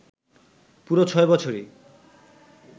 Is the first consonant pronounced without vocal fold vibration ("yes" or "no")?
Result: yes